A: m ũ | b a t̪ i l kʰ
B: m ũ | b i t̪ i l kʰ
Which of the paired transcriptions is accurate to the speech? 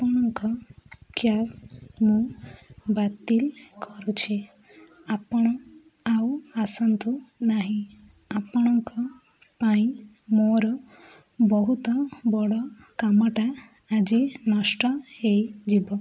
A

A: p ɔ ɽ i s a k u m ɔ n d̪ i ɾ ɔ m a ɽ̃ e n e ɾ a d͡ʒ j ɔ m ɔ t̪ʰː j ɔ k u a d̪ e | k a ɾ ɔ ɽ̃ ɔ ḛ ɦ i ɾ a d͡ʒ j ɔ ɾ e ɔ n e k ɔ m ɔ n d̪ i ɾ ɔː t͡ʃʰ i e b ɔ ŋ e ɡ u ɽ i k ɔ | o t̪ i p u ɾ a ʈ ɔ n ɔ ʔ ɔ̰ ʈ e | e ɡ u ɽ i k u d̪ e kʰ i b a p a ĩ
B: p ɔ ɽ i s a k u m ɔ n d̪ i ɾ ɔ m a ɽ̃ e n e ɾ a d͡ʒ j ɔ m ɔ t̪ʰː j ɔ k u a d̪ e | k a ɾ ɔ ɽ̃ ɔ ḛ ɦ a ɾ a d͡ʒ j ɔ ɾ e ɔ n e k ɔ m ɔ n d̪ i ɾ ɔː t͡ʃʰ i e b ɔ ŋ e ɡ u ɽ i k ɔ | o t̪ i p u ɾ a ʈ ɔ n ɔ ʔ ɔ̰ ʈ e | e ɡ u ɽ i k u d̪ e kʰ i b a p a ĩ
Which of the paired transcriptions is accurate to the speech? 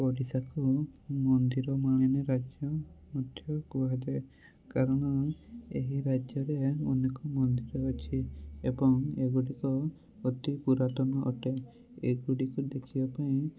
A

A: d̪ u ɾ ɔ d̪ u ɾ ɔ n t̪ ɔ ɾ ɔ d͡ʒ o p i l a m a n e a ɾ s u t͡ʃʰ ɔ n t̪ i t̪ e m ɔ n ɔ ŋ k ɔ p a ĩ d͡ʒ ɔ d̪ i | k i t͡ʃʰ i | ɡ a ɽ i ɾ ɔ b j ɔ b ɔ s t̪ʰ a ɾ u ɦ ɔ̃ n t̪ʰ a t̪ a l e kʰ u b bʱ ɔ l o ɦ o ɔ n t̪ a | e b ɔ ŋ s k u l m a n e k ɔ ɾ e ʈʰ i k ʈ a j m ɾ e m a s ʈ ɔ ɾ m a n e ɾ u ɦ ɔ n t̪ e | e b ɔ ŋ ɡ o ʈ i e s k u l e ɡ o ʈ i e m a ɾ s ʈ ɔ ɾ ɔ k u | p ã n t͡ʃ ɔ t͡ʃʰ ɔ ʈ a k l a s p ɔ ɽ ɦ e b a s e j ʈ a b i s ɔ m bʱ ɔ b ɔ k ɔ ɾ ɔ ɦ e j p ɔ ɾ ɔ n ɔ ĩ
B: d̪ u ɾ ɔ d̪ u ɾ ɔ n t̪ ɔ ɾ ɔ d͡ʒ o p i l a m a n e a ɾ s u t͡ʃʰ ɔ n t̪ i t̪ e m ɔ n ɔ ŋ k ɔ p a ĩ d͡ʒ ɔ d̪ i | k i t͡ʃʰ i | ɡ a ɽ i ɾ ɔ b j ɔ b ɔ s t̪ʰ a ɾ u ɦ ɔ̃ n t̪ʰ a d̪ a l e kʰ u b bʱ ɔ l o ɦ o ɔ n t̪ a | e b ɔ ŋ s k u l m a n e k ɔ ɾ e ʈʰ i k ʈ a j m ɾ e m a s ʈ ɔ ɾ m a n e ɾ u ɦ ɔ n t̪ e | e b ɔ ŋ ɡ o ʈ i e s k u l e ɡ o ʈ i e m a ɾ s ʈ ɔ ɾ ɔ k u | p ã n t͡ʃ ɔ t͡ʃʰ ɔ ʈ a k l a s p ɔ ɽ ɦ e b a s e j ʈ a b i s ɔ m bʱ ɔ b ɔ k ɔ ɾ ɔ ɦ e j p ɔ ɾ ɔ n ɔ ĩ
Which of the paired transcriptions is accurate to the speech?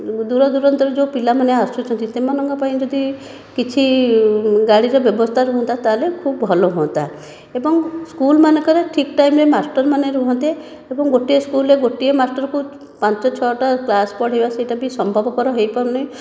A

